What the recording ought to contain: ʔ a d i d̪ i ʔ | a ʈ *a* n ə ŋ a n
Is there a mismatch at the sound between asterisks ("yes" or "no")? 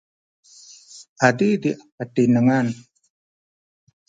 yes